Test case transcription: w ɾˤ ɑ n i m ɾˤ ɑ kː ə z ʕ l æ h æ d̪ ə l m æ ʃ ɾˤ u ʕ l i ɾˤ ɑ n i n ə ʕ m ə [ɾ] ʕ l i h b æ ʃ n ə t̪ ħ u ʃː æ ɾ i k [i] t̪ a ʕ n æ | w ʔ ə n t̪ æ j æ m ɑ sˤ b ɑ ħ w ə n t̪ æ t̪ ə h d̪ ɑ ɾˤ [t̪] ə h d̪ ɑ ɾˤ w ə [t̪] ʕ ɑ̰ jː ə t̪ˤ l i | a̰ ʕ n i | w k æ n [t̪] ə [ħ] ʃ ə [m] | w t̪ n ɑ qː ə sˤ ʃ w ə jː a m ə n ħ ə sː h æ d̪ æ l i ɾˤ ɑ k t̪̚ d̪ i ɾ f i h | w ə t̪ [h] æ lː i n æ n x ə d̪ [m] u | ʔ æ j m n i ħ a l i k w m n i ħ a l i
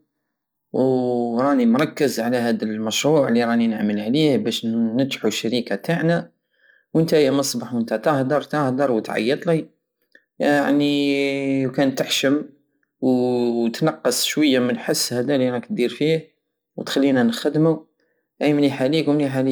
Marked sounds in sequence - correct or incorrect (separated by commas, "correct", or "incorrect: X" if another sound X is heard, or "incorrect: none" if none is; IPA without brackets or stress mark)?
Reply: incorrect: l, incorrect: a, correct, correct, correct, correct, correct, incorrect: x, correct